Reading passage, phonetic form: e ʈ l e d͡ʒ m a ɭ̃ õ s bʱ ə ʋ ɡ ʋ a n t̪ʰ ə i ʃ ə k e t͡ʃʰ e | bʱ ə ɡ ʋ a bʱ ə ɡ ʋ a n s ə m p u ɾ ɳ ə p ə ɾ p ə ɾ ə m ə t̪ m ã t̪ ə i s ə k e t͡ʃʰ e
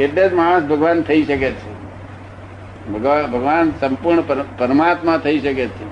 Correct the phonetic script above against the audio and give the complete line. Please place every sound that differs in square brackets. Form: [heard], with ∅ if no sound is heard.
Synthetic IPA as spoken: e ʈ l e d͡ʒ m a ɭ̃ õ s bʱ ə [∅] ɡ ʋ a n t̪ʰ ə i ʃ ə k e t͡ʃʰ e | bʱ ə ɡ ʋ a bʱ ə ɡ ʋ a n s ə m p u ɾ ɳ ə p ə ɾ p ə ɾ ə m [a] t̪ m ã [t̪ʰ] ə i [ʃ] ə k e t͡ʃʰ e